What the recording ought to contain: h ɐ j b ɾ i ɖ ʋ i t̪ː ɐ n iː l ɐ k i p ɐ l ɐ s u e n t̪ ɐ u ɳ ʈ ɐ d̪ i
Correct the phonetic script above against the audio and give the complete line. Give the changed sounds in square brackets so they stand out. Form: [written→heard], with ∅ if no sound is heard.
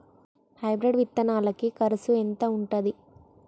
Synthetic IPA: h ɐ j b ɾ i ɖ ʋ i t̪ː ɐ n [iː→aː] l ɐ k i [p→k] ɐ [l→ɾ] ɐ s u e n t̪ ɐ u ɳ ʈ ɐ d̪ i